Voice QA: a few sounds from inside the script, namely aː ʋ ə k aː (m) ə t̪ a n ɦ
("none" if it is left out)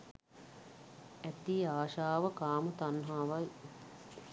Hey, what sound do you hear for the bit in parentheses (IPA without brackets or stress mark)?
m